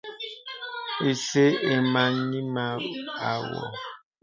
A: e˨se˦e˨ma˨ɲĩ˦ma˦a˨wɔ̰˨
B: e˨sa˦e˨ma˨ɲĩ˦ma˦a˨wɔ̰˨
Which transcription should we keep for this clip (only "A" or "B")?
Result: A